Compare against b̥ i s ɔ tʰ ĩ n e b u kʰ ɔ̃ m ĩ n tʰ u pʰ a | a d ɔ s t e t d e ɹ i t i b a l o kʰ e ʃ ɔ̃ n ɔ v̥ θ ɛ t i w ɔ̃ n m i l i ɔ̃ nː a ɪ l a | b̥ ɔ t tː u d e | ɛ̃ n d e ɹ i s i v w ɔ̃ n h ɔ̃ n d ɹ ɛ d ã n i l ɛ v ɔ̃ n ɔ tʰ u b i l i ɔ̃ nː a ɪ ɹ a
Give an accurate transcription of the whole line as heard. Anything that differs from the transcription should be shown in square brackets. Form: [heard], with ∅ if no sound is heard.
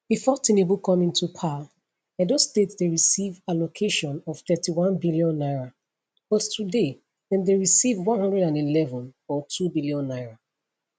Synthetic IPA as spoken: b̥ i [f] ɔ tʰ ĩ n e b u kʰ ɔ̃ m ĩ n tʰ u pʰ a | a d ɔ s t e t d e ɹ i [s] i [v] a l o kʰ e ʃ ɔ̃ n ɔ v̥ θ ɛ t i w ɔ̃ n [b] i l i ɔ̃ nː a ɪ [ɹ] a | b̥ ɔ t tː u d e | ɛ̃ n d e ɹ i s i v w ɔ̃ n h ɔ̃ n d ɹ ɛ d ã n i l ɛ v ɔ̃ n ɔ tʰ u b i l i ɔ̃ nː a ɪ ɹ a